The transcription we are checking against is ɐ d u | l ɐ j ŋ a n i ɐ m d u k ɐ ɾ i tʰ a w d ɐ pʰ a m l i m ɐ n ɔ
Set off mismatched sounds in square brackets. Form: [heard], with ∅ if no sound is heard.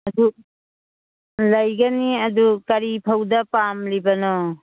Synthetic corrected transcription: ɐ d u | l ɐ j [ɡ] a n i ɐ [∅] d u k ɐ ɾ i [pʰ] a w d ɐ [p] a m l i [b] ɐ n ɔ